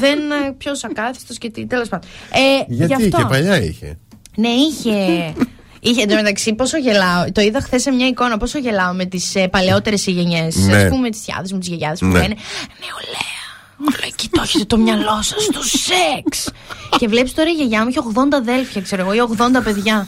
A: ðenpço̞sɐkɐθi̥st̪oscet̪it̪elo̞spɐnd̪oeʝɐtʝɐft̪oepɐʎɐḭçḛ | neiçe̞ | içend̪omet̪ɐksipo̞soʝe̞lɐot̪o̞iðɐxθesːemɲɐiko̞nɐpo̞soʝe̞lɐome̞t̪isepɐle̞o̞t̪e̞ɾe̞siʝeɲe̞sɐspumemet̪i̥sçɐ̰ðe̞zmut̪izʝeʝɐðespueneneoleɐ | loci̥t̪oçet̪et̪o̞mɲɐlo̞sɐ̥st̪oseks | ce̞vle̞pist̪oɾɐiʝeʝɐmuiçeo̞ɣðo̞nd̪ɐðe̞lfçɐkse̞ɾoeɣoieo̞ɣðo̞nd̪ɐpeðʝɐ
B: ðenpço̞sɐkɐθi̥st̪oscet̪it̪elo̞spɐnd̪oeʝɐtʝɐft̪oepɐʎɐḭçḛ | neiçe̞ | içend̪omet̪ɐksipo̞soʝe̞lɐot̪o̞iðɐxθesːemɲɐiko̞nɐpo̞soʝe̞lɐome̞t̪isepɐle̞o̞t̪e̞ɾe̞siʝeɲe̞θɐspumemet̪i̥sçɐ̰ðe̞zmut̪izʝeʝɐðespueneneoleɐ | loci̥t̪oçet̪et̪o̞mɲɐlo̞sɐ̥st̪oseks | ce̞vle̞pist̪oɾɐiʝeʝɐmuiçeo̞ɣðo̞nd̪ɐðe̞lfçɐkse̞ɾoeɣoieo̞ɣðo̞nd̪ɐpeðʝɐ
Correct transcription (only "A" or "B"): A